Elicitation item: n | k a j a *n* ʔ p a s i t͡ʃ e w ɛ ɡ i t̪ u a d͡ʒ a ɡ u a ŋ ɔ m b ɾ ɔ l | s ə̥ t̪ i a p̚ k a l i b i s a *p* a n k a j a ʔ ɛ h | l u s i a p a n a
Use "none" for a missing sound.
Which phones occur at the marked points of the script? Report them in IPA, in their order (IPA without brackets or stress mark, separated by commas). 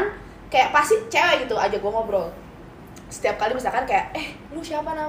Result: none, k